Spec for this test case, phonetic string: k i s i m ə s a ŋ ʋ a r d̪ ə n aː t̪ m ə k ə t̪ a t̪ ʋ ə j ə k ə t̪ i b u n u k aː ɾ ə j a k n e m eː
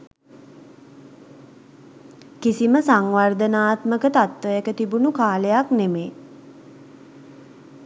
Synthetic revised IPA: k i s i m ə s a ŋ ʋ a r d̪ ə n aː t̪ m ə k ə t̪ a t̪ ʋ ə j ə k ə t̪ i b u n u k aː l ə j a k n e m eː

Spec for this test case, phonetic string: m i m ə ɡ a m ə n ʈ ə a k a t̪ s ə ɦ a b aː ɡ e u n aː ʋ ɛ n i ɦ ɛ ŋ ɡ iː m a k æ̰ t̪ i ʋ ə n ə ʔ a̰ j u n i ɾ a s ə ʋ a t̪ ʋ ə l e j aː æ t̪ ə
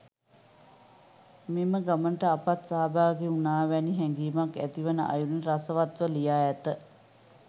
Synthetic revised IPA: m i m ə ɡ a m ə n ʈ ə a p a t̪ s a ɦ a b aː ɡ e u n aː ʋ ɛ n i ɦ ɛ ŋ ɡ iː m a k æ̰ t̪ i ʋ ə n ə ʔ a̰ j u n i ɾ a s ə ʋ a t̪ ʋ ə l i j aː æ t̪ ə

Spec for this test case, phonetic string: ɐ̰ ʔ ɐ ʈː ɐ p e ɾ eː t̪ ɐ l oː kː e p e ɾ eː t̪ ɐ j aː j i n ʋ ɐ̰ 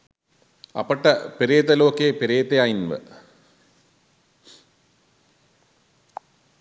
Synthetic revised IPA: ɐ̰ p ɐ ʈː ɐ p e ɾ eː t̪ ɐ l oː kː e p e ɾ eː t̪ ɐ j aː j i n ʋ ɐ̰

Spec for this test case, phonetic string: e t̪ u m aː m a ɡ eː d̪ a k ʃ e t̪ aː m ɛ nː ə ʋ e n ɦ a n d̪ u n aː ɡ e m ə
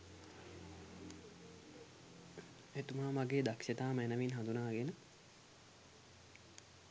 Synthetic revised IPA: e t̪ u m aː m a ɡ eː d̪ a k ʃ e t̪ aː m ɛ n ə ʋ i n ɦ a n d̪ u n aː ɡ e n ə

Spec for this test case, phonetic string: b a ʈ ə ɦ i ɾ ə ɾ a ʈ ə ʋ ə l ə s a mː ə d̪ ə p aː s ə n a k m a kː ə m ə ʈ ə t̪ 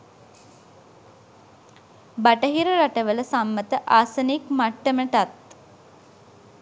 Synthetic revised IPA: b a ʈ ə ɦ i ɾ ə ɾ a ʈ ə ʋ ə l ə s a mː ə t̪ ə ʔ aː s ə n i k m a ʈː ə m ə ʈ a t̪

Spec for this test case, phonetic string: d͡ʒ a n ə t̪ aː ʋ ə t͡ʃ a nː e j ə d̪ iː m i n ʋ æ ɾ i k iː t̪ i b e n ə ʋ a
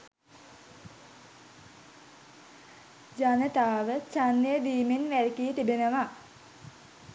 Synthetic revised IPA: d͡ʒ a n ə t̪ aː ʋ ə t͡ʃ a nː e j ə d̪ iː m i n ʋ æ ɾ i k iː t̪ i b e n ə ʋ a

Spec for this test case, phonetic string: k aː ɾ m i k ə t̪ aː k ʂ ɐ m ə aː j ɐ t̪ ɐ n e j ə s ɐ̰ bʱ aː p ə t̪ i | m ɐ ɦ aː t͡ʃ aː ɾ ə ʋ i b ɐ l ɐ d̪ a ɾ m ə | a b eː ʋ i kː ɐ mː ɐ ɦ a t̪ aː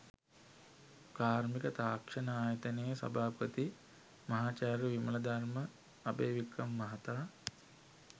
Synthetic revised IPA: k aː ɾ m i k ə t̪ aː k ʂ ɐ n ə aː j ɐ t̪ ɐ n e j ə s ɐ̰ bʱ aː p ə t̪ i | m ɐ ɦ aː t͡ʃ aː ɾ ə ʋ i m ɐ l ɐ d̪ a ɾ m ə | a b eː ʋ i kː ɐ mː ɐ ɦ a t̪ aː

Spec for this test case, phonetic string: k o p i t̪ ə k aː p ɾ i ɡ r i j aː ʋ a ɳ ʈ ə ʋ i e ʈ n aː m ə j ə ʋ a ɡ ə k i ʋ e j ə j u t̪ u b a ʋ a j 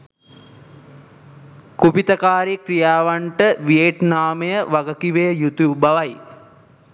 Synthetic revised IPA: k u p i t̪ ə k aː ɾ i k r i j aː ʋ a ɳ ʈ ə ʋ i e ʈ n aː m ə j ə ʋ a ɡ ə k i ʋ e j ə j u t̪ u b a ʋ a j

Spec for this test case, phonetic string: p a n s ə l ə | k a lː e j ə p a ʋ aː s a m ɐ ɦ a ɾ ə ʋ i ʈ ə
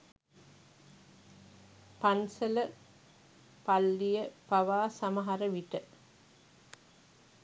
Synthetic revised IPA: p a n s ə l ə | p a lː i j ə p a ʋ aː s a m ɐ ɦ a ɾ ə ʋ i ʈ ə

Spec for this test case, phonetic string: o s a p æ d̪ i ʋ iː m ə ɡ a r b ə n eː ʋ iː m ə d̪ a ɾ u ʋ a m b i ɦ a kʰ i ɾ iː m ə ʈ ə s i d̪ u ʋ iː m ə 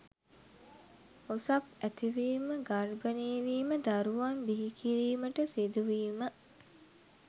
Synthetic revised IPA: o s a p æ t̪ i ʋ iː m ə ɡ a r b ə n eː ʋ iː m ə d̪ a ɾ u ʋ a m b i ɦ i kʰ i ɾ iː m ə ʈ ə s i d̪ u ʋ iː m ə

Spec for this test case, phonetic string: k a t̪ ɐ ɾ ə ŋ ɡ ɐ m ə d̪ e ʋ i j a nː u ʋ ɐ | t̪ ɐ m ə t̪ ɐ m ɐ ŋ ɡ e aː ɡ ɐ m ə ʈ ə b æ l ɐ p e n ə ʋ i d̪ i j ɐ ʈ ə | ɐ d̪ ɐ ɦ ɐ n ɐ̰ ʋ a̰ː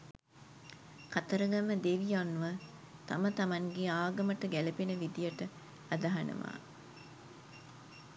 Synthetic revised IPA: k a t̪ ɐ ɾ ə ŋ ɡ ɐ m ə d̪ e ʋ i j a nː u ʋ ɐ | t̪ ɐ m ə t̪ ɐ m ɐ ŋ ɡ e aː ɡ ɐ m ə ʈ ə ɡ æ l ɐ p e n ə ʋ i d̪ i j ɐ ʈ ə | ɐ d̪ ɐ ɦ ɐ n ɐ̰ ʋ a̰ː

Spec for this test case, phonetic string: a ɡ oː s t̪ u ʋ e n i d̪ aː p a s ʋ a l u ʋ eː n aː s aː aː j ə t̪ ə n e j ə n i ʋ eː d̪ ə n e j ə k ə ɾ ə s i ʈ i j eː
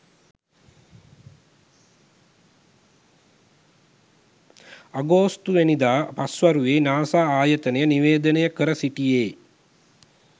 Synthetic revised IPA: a ɡ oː s t̪ u ʋ e n i d̪ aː p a s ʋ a ɾ u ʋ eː n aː s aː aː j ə t̪ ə n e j ə n i ʋ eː d̪ ə n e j ə k ə ɾ ə s i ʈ i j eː

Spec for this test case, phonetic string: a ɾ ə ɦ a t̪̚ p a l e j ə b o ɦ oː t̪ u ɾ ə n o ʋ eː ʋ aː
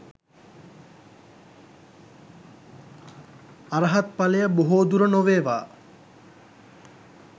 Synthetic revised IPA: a ɾ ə ɦ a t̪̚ p a l e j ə b o ɦ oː d̪ u ɾ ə n o ʋ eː ʋ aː

